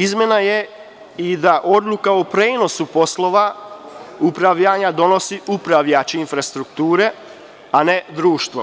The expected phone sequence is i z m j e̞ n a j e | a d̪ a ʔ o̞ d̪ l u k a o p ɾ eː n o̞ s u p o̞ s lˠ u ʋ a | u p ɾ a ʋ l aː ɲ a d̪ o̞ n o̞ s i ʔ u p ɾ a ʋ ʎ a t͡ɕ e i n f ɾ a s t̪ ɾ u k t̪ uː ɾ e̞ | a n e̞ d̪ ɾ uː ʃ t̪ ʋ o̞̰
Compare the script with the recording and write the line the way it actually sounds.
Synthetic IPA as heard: i z m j e̞ n a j e | i d̪ a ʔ o̞ d̪ l u k a o p ɾ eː n o̞ s u p o̞ s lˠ o ʋ a | u p ɾ a ʋ ʎ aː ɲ a d̪ o̞ n o̞ s i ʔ u p ɾ a ʋ ʎ a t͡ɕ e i n f ɾ a s t̪ ɾ u k t̪ uː ɾ e̞ | a n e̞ d̪ ɾ uː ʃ t̪ ʋ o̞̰

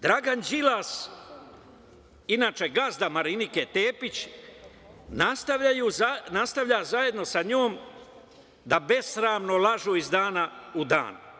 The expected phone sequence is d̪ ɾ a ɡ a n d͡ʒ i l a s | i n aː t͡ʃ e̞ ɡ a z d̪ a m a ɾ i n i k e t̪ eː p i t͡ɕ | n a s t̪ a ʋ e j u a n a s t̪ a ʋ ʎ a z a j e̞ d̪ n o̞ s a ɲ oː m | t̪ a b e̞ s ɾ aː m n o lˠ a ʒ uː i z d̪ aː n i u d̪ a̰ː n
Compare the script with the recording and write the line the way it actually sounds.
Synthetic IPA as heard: d̪ ɾ a ɡ a n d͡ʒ i l a s | i n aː t͡ʃ e̞ ɡ a z d̪ a m a ɾ i n i k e t̪ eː p i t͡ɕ | n a s t̪ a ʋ a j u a n a s t̪ a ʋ ʎ a z a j e̞ d̪ n o̞ s a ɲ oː m | d̪ a b e̞ s ɾ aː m n o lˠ a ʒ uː i z d̪ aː n a u d̪ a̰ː n

